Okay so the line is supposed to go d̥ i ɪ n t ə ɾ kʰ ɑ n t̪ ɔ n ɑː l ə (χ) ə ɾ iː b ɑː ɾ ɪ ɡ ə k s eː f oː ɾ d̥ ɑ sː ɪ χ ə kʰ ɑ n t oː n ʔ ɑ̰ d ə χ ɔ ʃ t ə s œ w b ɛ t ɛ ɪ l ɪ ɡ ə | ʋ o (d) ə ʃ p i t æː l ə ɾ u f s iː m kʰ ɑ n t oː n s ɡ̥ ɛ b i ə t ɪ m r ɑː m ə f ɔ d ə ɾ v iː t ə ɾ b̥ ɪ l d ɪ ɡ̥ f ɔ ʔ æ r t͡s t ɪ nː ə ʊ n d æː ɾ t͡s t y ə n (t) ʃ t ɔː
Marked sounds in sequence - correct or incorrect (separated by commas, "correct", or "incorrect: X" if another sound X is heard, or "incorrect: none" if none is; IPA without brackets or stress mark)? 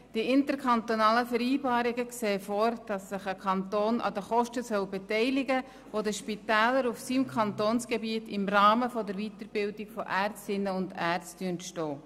incorrect: f, correct, correct